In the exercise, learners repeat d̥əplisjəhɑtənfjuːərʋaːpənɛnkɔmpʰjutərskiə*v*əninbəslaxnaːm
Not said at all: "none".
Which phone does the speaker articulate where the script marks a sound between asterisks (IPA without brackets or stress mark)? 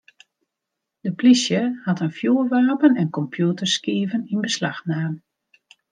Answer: v